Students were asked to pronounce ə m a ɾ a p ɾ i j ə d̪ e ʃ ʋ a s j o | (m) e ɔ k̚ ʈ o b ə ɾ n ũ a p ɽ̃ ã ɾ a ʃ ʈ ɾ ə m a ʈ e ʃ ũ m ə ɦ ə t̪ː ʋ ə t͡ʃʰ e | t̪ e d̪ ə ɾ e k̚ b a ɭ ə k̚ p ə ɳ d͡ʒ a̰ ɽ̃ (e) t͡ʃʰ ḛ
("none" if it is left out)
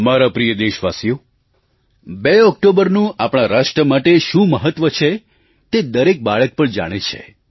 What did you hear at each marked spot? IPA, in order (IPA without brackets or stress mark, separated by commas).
b, e